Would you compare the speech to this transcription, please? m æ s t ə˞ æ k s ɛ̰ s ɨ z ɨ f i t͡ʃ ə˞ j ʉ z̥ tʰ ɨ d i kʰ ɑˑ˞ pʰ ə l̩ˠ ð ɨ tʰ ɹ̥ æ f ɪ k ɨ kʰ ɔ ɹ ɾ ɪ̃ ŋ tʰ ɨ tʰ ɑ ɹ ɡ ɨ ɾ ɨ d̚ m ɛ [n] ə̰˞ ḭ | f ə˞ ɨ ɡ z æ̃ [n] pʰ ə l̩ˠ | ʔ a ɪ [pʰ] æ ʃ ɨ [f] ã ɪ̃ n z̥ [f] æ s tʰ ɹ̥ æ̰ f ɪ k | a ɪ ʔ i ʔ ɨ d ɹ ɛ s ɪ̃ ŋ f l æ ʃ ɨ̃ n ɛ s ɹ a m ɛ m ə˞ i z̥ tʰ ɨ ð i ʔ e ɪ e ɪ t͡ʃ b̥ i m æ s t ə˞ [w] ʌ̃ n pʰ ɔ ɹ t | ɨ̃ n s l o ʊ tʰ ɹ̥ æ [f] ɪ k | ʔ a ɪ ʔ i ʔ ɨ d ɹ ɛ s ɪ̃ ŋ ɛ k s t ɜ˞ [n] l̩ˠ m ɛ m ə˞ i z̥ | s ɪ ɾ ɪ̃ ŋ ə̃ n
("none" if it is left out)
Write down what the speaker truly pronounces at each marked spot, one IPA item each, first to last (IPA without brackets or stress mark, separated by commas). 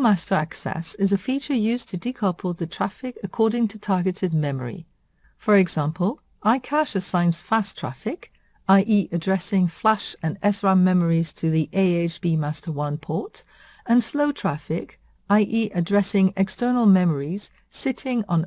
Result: m, m, kʰ, s, f, w, f, n